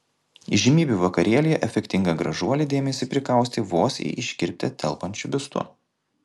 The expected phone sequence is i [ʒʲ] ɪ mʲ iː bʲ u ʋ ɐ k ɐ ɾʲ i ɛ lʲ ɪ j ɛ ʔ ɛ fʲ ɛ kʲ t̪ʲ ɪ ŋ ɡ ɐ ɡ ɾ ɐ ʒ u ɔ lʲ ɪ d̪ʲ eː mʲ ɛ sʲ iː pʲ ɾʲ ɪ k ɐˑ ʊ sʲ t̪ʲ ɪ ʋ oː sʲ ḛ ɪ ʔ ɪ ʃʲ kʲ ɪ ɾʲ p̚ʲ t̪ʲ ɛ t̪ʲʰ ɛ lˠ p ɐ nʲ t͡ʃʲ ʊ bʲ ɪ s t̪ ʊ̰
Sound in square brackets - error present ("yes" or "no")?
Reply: no